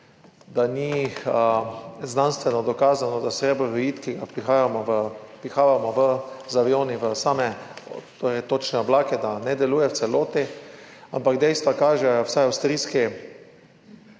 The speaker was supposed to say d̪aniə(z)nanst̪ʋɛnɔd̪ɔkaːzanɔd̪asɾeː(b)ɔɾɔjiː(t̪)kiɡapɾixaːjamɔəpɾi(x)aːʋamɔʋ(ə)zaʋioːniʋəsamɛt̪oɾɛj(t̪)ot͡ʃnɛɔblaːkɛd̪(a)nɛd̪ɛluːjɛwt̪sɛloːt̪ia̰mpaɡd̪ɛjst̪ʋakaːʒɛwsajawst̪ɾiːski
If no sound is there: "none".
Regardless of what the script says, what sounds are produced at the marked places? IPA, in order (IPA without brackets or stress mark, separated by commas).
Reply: z, b, t̪, x, ə, t̪, a